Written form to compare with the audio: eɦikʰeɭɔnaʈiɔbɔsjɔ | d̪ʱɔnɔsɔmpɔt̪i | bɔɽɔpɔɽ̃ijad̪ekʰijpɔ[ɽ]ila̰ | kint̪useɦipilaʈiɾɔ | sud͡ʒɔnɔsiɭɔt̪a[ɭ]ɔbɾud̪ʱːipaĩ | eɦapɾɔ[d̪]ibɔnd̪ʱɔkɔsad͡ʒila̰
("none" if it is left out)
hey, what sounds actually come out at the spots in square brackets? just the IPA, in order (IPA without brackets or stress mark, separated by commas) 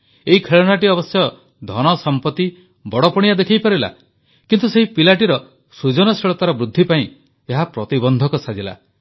ɾ, ɾ, t̪